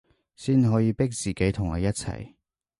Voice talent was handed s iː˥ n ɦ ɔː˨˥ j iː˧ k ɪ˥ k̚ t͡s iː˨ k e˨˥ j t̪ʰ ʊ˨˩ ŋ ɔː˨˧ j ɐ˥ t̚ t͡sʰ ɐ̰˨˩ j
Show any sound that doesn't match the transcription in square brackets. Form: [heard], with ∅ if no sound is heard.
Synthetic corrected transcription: s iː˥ n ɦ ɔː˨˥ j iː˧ [p] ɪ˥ k̚ t͡s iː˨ k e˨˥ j t̪ʰ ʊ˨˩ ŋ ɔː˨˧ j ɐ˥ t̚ t͡sʰ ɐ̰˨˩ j